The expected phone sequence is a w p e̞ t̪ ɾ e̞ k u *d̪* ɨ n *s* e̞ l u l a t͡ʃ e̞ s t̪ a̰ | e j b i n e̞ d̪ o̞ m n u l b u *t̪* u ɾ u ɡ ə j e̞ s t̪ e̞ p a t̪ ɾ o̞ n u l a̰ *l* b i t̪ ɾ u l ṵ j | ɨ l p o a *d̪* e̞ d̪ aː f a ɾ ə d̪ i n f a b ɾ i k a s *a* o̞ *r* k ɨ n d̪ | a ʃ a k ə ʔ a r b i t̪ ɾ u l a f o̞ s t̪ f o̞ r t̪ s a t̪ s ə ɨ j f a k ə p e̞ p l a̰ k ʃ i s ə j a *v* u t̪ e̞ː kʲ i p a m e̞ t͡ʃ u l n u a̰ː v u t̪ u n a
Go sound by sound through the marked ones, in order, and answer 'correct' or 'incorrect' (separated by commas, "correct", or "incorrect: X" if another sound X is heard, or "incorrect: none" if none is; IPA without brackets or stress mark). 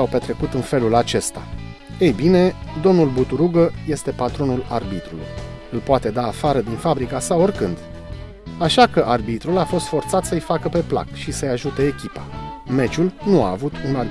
incorrect: t̪, incorrect: f, correct, incorrect: r, incorrect: t̪, correct, correct, incorrect: ʒ